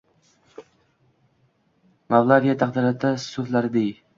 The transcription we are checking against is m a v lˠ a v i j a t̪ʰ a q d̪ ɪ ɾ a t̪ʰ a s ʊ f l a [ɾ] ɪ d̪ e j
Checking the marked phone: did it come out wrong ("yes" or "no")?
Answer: no